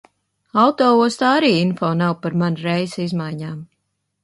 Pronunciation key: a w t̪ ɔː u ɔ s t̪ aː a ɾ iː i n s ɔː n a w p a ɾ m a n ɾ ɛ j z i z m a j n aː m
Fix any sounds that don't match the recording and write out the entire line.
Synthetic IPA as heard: a w t̪ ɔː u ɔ s t̪ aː a ɾ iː i n f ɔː n a w p a ɾ m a n ɾ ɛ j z i z m a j ɲ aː m